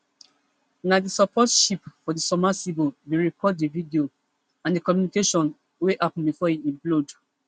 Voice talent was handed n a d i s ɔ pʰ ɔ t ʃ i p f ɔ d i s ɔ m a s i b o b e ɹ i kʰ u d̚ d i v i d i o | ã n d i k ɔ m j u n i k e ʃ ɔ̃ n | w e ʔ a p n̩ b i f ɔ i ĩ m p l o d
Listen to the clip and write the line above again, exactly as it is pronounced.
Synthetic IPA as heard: n a d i s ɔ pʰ ɔ t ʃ i p f ɔ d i s ɔ m a s i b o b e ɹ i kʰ ɔ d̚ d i v i d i o | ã n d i k ɔ m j u n i k e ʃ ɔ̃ n | w e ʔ a p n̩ b i f ɔ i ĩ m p l o d